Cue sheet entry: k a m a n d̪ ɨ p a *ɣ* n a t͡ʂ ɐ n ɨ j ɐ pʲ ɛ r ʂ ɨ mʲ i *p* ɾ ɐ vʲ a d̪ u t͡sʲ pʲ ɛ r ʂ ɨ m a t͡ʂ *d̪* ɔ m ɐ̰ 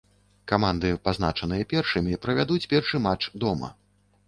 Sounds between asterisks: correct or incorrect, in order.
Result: incorrect: z, correct, correct

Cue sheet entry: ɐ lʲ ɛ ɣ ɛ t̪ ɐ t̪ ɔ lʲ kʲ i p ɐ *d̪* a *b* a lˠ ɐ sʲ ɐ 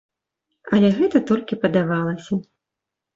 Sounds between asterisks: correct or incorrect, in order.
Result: correct, incorrect: v

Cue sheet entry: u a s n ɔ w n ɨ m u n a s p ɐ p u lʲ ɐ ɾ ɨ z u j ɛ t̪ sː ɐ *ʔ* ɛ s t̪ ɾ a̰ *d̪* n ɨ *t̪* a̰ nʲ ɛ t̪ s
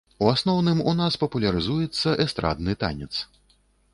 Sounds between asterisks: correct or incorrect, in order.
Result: correct, correct, correct

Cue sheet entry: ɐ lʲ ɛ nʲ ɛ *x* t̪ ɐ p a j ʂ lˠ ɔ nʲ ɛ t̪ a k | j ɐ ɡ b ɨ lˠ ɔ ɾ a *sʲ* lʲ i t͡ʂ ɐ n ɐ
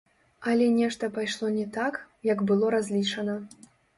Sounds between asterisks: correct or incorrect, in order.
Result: incorrect: ʂ, incorrect: zʲ

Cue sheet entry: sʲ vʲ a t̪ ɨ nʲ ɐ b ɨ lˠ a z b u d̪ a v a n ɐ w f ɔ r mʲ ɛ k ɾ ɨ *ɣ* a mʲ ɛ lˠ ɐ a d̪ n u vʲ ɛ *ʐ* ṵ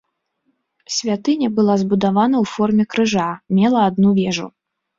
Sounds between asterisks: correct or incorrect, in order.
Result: incorrect: ʐ, correct

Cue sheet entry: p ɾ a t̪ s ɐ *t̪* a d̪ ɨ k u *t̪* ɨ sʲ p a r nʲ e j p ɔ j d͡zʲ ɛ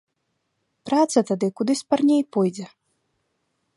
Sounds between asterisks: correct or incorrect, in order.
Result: correct, incorrect: d̪

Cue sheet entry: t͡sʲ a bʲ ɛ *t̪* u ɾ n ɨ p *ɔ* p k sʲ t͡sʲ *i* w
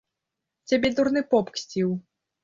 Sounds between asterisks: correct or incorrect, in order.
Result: incorrect: d̪, correct, correct

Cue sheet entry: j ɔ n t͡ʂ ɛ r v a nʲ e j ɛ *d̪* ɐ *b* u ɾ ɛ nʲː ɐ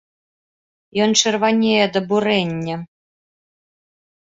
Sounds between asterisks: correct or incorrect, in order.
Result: correct, correct

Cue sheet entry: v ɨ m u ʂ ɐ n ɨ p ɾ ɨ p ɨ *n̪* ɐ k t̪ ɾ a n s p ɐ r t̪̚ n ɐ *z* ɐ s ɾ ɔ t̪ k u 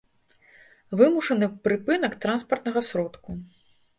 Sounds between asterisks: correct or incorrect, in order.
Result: correct, incorrect: ɣ

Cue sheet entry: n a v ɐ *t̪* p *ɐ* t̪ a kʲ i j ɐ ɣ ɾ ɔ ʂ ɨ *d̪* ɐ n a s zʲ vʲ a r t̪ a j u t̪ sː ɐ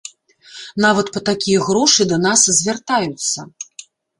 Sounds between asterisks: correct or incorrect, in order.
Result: correct, correct, correct

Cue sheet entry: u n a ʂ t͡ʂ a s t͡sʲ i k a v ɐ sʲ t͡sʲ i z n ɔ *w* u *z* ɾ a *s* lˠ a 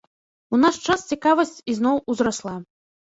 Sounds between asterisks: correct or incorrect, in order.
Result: correct, correct, correct

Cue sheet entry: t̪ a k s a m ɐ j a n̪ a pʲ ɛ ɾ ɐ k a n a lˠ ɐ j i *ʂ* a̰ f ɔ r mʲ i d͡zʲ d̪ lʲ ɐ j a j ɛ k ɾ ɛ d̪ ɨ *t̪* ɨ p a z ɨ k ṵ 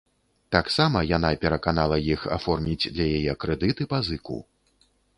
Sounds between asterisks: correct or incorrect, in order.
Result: incorrect: x, correct

